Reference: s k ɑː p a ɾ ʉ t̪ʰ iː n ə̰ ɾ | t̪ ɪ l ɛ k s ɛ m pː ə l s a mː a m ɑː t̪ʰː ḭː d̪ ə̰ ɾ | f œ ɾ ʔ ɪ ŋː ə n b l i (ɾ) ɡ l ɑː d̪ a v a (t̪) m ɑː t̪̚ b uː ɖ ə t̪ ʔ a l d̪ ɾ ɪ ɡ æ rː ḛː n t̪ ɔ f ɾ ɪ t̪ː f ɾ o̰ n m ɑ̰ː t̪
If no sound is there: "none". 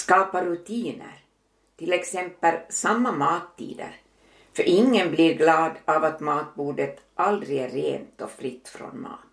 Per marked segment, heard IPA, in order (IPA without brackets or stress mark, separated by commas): ɾ, t̪